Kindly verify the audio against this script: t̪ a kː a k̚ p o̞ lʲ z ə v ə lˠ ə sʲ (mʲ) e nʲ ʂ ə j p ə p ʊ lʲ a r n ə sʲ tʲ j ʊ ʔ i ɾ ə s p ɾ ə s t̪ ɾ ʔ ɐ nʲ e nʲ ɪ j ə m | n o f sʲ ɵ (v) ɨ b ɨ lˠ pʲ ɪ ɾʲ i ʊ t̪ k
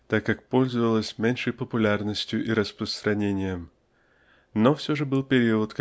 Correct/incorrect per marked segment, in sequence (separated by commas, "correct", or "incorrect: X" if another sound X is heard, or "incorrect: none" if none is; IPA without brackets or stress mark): correct, incorrect: ʐ